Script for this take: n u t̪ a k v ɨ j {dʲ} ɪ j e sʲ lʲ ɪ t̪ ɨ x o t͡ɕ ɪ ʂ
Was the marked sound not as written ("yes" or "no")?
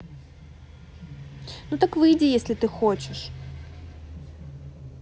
no